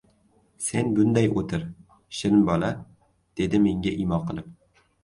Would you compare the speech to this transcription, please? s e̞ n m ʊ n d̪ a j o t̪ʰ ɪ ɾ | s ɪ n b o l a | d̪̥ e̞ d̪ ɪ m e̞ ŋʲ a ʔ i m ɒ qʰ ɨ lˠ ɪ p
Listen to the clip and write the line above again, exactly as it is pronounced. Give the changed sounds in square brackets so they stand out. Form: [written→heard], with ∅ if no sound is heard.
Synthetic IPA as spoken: s e̞ n [m→b] ʊ n d̪ a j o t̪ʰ ɪ ɾ | [s→ʃ] ɪ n b [o→ɒ] l a | d̪̥ e̞ d̪ ɪ m e̞ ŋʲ a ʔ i m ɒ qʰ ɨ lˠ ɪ p